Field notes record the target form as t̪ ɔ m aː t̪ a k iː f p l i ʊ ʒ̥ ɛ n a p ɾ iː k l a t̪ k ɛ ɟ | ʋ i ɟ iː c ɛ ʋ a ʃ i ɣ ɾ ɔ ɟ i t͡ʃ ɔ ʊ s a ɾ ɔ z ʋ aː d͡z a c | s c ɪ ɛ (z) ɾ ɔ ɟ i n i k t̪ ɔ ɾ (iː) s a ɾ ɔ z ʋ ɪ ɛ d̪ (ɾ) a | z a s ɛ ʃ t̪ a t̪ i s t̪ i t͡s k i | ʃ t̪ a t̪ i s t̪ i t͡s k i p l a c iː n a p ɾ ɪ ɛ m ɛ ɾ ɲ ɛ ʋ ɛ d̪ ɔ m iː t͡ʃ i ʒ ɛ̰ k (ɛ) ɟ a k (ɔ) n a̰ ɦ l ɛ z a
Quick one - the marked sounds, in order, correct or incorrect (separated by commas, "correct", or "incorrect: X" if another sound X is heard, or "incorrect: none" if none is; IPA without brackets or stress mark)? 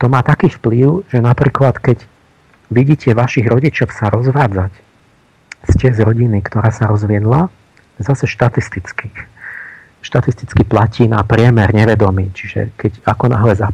correct, incorrect: aː, incorrect: l, correct, correct